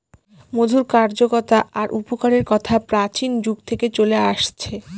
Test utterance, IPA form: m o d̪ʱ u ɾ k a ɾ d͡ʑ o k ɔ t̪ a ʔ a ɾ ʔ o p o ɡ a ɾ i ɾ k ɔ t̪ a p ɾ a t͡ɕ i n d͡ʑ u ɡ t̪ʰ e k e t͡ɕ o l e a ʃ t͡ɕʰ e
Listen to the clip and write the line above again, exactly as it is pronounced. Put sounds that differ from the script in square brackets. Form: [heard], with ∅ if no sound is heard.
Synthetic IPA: m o d̪ʱ u ɾ k a ɾ d͡ʑ o k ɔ t̪ a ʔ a ɾ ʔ [u] p o [k] a ɾ [e] ɾ k ɔ [t̪ʰ] a p ɾ a t͡ɕ i n d͡ʑ u ɡ t̪ʰ e k e t͡ɕ o l e a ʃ t͡ɕʰ e

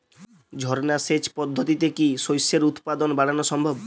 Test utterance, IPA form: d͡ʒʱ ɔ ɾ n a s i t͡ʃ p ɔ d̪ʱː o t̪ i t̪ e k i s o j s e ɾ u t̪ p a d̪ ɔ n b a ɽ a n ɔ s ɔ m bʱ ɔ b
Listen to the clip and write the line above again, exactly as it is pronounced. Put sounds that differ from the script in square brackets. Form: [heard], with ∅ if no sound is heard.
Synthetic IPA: d͡ʒʱ ɔ ɾ n a s [e] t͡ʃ p ɔ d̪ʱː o t̪ i t̪ e k i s o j s e ɾ u t̪ p a d̪ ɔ n b a ɽ a n ɔ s ɔ m bʱ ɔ b

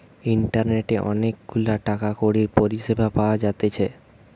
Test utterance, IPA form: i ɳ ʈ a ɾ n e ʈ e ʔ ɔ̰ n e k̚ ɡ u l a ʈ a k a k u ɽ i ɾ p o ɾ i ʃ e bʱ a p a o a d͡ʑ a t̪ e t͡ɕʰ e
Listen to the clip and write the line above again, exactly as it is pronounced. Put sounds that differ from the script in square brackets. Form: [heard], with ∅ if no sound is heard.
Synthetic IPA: i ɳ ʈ a ɾ n e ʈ e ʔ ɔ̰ n e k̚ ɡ u l a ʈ a k a k [o] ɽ i ɾ p o ɾ i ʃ e bʱ a p a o a d͡ʑ a t̪ e t͡ɕʰ e

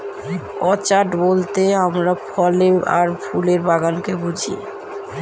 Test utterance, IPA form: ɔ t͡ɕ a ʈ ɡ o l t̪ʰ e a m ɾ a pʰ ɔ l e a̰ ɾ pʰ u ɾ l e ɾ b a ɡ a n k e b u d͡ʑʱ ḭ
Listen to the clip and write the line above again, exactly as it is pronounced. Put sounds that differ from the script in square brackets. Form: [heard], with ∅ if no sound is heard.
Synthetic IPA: ɔ t͡ɕ a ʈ [b] o l [t̪] e a m ɾ a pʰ ɔ l e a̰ ɾ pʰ u [∅] l e ɾ b a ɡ a n k e b u d͡ʑʱ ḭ

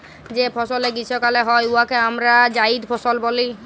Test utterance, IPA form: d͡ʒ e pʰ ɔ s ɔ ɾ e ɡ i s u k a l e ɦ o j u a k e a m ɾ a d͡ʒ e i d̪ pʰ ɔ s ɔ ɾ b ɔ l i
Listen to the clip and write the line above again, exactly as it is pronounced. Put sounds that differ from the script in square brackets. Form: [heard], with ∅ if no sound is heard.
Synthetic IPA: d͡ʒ e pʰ ɔ s ɔ [l] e ɡ i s [ɔ] k a l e ɦ [ɔ] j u a k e a m ɾ a d͡ʒ [a] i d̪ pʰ ɔ s ɔ [l] b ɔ l i

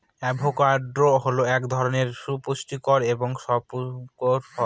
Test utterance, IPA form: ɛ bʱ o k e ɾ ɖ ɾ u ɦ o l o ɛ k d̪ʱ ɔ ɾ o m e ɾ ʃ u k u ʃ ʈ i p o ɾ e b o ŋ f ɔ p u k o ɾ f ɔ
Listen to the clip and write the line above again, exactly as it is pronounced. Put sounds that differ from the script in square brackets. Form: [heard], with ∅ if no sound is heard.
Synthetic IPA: ɛ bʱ o k [a] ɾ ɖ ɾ [o] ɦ o l o ɛ k d̪ʱ ɔ ɾ o [n] e ɾ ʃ u [p] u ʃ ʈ i [k] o ɾ e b o ŋ [ʃ] ɔ p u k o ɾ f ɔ

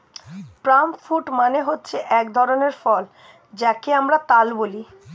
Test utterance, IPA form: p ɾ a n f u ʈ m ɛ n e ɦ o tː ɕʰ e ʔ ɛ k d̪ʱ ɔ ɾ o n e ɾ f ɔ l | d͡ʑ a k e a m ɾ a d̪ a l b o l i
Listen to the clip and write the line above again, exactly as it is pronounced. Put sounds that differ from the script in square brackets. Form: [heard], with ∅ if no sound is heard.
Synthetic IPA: p ɾ a [m] f u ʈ m [a] n e ɦ o tː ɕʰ e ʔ ɛ k d̪ʱ ɔ ɾ o n e ɾ f ɔ l | d͡ʑ a k e a m ɾ a [t̪] a l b o l i

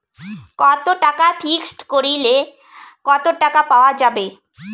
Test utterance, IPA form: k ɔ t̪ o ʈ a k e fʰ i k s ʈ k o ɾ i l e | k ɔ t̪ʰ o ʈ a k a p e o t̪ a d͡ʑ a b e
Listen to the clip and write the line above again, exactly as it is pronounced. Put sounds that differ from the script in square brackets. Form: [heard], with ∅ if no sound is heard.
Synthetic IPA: k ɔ t̪ o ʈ a k [a] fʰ i k s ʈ k o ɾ i l e | k ɔ [t̪] o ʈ a k a p [a] o [∅] a d͡ʑ a b e

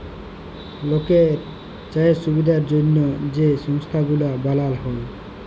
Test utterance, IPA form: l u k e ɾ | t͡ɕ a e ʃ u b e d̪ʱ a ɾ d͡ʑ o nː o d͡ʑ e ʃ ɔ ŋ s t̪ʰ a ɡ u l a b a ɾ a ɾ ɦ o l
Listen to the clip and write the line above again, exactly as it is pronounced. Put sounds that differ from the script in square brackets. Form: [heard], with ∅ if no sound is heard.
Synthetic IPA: l [o] k e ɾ | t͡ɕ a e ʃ u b [i] d̪ʱ a ɾ d͡ʑ o nː o d͡ʑ e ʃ ɔ ŋ s t̪ʰ a ɡ u l a b a [l] a [l] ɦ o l

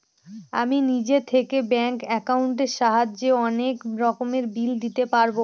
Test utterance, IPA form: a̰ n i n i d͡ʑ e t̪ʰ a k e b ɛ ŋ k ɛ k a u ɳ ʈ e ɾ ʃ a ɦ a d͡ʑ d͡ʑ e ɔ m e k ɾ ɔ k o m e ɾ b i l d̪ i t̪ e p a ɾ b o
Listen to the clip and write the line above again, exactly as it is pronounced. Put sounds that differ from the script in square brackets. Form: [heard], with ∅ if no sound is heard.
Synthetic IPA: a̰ [m] i n i d͡ʑ e t̪ʰ [e] k e b ɛ ŋ k ɛ k a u ɳ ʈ e ɾ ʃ a ɦ a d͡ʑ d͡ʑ e ɔ [n] e k ɾ ɔ k o m e ɾ b i l d̪ i t̪ e p a ɾ b o

